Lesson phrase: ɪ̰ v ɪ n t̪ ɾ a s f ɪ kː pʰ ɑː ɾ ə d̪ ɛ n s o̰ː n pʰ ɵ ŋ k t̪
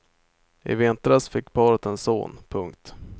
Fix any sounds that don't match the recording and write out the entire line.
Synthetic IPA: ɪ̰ v ɪ n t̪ ɾ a s f ɪ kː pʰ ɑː ɾ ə t̪ ɛ n s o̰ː n pʰ ɵ ŋ k t̪